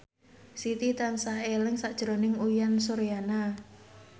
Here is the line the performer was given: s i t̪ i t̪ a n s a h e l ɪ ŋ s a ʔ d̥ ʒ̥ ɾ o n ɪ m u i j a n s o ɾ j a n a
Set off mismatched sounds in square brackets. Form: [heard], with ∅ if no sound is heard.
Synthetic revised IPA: s i t̪ i t̪ a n s a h e l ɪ ŋ s a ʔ d̥ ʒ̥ ɾ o n ɪ [ŋ] u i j a n s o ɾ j a n a

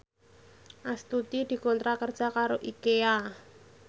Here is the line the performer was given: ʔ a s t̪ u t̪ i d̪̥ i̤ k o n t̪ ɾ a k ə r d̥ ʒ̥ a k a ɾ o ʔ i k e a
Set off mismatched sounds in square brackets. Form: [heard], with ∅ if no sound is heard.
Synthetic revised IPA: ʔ a s t̪ u t̪ i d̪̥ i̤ k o n t̪ ɾ a k ə r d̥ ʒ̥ a k a ɾ o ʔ i k e a

